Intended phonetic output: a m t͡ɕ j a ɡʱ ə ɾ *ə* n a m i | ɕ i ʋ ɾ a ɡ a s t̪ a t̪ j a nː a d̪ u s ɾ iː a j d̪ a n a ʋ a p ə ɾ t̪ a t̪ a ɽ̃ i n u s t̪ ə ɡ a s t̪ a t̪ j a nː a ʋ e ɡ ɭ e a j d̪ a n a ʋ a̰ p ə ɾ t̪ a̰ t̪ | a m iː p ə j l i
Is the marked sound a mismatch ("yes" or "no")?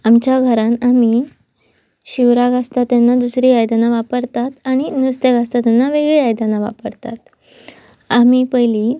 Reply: yes